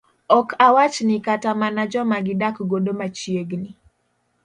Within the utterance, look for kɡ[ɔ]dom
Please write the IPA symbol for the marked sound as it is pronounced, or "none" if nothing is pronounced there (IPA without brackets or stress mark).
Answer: o